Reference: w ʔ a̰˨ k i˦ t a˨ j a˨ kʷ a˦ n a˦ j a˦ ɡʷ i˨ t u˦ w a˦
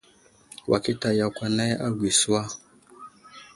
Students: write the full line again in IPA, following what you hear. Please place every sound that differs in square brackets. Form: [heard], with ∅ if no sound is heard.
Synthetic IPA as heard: w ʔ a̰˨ k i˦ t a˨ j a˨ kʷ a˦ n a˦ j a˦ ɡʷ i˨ [s] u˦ w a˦